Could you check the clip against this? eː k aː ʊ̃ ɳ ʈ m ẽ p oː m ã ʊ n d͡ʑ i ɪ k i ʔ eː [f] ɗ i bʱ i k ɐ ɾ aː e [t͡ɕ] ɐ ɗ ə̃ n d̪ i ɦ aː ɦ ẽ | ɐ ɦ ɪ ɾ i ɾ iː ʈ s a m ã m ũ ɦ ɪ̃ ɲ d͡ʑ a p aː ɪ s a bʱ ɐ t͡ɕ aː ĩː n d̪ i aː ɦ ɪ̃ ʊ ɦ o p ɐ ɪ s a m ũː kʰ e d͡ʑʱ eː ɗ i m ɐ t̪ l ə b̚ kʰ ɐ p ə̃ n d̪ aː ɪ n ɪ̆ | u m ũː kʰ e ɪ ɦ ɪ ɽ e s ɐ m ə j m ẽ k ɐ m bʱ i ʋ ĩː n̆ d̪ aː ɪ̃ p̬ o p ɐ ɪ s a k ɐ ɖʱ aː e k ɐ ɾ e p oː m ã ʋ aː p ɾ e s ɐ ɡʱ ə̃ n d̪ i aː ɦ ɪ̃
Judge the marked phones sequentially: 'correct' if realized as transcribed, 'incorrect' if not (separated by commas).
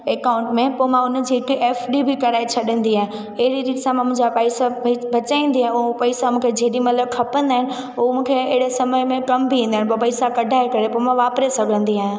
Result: correct, incorrect